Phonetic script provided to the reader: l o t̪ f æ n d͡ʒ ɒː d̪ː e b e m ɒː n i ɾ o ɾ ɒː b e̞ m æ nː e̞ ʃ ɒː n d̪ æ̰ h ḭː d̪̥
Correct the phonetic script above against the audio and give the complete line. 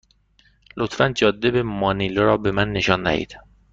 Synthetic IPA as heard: l o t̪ f æ n d͡ʒ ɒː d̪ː e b e m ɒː n i l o ɾ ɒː b e̞ m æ nː e̞ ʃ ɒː n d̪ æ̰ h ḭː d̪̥